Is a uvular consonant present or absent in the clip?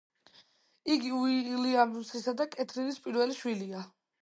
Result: absent